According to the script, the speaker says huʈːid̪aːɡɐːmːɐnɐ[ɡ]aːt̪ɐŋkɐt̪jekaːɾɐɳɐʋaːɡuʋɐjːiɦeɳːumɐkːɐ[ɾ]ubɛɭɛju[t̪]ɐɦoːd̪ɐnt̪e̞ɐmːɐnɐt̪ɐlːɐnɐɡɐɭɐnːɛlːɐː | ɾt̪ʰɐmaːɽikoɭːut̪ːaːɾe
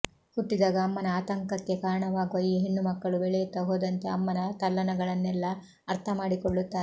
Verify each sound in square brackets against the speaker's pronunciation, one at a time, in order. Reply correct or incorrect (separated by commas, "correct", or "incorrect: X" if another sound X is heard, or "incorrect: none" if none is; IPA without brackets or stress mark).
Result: incorrect: none, incorrect: ɭ, correct